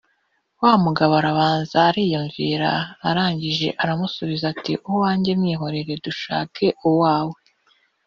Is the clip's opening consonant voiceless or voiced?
voiced